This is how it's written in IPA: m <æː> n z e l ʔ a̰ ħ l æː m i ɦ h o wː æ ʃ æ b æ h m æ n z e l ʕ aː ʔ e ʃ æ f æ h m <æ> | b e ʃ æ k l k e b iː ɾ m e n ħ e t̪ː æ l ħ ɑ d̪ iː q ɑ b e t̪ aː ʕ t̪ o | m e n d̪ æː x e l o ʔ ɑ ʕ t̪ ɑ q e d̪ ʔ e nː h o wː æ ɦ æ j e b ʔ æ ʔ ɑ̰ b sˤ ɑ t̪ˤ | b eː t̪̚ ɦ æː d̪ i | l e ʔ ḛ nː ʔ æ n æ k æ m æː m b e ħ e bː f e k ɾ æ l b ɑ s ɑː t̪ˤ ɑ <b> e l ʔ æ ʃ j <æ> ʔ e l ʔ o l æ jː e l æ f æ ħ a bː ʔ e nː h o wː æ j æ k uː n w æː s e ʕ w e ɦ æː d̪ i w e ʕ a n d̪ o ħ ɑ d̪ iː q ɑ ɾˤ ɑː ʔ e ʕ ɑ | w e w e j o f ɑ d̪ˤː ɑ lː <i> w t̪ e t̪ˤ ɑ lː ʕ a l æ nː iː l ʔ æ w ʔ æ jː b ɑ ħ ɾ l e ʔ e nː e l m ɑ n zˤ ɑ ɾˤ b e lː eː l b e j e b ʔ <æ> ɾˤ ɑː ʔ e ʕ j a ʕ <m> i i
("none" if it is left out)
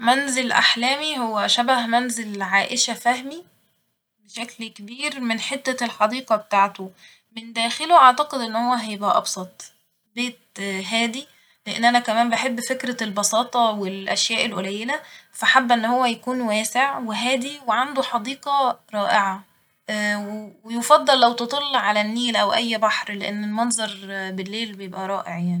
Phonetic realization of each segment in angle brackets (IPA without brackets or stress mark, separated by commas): æ, i, w, æː, æ, æ, n